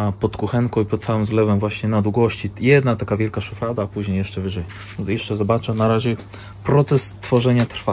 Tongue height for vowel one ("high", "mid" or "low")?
mid